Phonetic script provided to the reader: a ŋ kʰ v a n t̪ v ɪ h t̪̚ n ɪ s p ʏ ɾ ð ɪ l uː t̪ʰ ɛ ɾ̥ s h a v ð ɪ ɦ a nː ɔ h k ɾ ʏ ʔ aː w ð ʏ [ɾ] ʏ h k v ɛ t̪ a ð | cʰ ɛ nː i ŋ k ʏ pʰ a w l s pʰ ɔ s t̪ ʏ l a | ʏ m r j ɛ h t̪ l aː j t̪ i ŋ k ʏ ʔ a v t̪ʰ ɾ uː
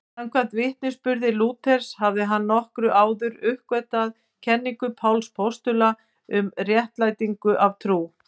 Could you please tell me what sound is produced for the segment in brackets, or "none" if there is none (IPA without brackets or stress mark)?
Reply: ɾ